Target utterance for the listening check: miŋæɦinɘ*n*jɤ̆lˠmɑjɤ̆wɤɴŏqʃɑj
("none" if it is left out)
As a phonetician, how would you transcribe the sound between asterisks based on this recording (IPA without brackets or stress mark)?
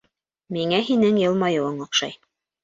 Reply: ŋ